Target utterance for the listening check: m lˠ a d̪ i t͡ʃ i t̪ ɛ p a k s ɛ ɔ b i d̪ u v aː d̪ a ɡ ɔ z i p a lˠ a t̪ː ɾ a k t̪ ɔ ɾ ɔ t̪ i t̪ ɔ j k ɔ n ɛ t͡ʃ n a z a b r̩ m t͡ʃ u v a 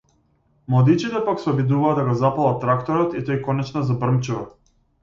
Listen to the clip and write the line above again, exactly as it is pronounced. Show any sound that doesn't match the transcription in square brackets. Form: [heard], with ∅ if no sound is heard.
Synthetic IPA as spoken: m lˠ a d̪ i t͡ʃ i t̪ ɛ p a k s ɛ ɔ b i d̪ u v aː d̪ a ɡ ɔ z [a] p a lˠ a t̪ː ɾ a k t̪ ɔ ɾ ɔ t̪ i t̪ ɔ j k ɔ n ɛ t͡ʃ n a z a b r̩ m t͡ʃ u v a